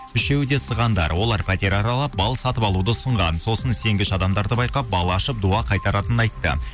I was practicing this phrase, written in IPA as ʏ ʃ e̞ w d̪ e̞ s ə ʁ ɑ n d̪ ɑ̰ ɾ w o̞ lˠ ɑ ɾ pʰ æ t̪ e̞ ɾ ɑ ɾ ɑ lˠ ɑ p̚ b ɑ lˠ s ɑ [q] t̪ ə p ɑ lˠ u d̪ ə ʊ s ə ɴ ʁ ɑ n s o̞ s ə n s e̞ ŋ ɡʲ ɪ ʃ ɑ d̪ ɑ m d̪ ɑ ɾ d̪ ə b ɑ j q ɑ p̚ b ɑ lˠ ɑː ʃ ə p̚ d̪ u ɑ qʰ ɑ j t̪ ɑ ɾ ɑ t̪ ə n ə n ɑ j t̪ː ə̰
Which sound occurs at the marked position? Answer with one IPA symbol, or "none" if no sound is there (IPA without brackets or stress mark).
none